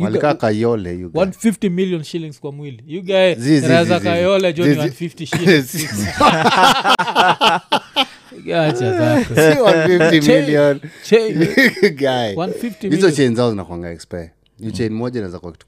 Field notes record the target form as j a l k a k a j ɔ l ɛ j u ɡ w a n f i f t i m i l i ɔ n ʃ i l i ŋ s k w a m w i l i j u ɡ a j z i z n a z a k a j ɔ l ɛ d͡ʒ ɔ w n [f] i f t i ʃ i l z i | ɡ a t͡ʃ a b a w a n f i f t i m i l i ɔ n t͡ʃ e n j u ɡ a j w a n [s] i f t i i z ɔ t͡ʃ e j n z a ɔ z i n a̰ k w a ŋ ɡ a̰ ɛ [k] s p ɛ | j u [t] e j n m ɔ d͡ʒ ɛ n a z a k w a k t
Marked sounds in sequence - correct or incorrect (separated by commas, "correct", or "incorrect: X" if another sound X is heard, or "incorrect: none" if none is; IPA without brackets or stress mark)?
correct, incorrect: f, correct, incorrect: t͡ʃ